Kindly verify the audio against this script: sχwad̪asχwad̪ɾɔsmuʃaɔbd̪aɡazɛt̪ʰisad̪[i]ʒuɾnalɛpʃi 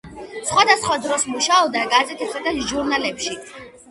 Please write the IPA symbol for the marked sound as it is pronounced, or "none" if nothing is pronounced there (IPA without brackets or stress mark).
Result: a